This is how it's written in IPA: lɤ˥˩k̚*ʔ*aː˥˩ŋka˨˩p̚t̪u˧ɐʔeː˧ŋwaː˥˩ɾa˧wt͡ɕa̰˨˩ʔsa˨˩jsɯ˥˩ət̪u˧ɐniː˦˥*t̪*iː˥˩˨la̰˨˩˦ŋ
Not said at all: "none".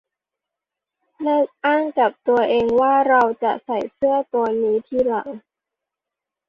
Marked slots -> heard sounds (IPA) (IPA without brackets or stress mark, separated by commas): ʔ, t̪ʰ